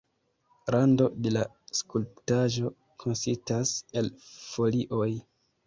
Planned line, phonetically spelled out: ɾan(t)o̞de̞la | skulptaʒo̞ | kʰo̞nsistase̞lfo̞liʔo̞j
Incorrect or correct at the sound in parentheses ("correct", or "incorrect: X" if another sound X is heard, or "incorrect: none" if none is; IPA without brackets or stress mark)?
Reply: incorrect: d